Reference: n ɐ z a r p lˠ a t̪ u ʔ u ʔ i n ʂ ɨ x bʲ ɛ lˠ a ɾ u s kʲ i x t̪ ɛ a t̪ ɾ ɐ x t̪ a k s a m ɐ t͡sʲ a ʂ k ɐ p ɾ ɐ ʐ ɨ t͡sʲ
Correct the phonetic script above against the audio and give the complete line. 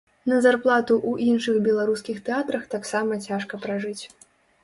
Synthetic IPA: n ɐ z a r p lˠ a t̪ u ʔ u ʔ i n ʂ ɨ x bʲ ɛ lˠ a ɾ u s kʲ i x t̪ ɛ a t̪ ɾ ɐ x t̪ a k s a m ɐ t͡sʲ a ʂ k ɐ p ɾ a ʐ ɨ t͡sʲ